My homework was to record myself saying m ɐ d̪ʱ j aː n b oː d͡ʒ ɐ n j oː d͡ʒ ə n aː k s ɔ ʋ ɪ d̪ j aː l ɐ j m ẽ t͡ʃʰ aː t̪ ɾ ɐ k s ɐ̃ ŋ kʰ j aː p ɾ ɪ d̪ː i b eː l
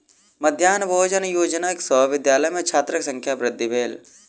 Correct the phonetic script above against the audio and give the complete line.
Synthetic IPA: m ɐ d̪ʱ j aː n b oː d͡ʒ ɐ n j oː d͡ʒ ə n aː k s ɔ ʋ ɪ d̪ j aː l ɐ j m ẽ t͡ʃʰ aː t̪ ɾ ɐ k s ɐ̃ ŋ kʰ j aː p ɾ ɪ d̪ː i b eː l